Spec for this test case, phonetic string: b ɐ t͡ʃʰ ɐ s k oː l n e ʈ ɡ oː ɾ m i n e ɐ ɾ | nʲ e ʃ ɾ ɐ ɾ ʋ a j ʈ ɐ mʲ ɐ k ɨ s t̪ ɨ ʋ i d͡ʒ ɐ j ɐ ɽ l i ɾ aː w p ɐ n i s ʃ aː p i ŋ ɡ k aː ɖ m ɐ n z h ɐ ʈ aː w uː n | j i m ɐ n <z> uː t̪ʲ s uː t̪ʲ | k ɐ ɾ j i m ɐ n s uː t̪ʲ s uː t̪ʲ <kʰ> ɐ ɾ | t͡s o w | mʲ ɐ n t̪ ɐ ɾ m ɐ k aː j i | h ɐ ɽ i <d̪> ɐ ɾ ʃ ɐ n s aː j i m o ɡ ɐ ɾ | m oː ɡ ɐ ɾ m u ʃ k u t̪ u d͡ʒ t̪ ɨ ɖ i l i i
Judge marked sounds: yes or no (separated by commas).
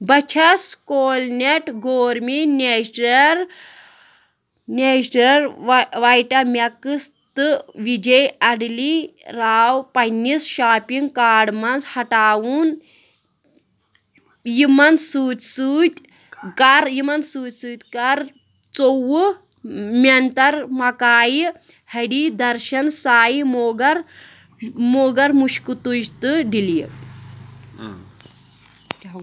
no, no, yes